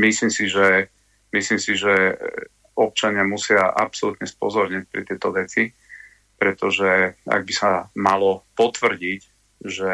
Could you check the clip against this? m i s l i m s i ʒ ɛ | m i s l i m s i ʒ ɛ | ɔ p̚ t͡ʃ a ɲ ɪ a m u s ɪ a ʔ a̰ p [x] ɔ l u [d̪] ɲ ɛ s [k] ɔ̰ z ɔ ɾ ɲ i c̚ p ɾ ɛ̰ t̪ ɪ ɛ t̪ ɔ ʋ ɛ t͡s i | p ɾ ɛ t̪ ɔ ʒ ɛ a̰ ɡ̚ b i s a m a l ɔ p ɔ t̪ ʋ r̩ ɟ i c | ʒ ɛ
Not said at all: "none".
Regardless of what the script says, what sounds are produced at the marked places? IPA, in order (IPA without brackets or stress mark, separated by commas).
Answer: s, t̪, p